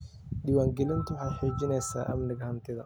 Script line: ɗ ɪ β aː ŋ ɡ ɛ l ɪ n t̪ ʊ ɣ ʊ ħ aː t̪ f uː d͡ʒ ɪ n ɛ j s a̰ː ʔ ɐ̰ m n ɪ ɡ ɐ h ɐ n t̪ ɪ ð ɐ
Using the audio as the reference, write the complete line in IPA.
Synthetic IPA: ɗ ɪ w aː ŋ ɡ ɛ l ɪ n t̪ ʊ w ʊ ħ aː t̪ ħ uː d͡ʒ ɪ n ɛ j s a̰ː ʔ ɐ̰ m n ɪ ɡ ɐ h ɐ n t̪ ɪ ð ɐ